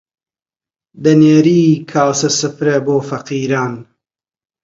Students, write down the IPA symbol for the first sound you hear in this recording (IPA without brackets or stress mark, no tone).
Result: d̪